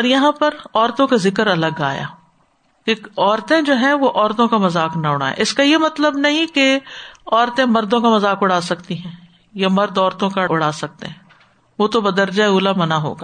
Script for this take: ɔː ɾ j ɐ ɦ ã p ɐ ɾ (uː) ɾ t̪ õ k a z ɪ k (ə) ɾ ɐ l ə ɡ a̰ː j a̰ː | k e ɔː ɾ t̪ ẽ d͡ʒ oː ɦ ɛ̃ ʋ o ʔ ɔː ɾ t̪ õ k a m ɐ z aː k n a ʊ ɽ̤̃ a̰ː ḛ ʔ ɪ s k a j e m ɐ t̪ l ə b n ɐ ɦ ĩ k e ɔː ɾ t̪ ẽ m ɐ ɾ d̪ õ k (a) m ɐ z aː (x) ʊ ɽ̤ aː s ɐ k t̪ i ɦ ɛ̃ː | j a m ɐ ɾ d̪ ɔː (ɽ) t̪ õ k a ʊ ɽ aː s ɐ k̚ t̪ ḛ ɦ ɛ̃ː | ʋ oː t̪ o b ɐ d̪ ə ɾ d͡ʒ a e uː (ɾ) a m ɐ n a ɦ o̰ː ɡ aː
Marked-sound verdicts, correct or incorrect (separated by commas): incorrect, correct, correct, incorrect, incorrect, incorrect